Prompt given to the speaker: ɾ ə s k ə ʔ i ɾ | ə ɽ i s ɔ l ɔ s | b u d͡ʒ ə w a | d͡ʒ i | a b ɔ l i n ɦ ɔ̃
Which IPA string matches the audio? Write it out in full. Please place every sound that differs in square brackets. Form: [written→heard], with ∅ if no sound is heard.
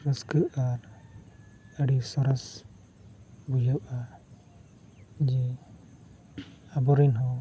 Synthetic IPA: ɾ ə s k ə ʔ [i→a] ɾ | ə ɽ i s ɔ [l→ɾ] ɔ s | b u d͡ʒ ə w a | d͡ʒ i | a b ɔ [l→ɾ] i n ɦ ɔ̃